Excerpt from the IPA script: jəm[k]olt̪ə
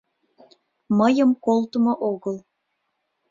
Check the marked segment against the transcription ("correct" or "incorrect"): correct